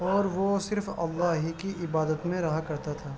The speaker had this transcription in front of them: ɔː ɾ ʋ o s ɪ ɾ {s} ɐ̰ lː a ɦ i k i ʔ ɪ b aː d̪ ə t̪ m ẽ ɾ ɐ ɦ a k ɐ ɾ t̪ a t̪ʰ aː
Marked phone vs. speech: incorrect: f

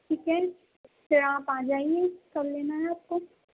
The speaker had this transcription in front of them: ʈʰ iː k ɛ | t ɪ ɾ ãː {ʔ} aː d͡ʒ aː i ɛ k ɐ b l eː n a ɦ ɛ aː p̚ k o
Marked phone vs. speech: incorrect: p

